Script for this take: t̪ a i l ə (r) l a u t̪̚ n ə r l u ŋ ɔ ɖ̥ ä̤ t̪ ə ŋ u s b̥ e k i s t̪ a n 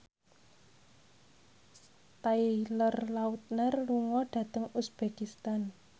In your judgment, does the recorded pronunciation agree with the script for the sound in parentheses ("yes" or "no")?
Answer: yes